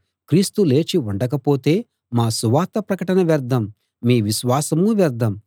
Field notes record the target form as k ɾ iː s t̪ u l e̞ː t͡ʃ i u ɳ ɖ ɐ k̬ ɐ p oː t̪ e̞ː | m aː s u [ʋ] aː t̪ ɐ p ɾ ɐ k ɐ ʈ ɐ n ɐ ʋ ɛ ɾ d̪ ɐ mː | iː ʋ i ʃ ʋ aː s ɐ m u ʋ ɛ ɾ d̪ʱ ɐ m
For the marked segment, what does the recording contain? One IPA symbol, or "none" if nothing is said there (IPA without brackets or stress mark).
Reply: ʋ